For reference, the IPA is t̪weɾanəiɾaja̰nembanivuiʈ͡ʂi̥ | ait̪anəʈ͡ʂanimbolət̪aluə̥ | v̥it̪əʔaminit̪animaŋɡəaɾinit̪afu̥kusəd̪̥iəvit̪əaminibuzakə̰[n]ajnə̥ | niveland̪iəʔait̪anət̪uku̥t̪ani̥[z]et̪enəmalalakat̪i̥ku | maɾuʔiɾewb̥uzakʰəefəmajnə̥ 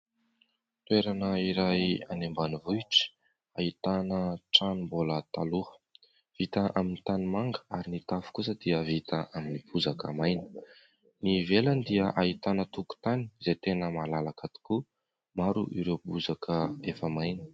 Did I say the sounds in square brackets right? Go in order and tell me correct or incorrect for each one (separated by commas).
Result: incorrect, correct